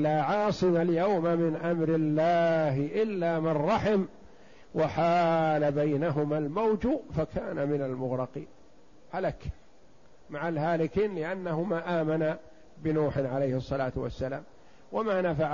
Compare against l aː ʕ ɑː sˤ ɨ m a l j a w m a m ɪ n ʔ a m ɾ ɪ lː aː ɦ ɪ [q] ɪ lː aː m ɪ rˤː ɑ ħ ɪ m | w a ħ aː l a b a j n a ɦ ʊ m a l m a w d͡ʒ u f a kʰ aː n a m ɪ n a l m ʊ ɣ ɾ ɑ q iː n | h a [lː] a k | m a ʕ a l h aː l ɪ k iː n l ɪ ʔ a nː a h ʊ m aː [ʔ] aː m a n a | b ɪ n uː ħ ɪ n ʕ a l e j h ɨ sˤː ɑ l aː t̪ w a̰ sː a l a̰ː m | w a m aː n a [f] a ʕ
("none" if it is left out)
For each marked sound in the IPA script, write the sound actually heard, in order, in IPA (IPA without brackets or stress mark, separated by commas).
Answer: ʔ, l, ʔ, f